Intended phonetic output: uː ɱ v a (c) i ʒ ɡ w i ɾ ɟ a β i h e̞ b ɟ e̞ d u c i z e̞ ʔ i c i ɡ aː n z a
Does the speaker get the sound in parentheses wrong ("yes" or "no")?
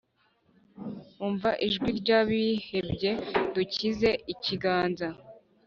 yes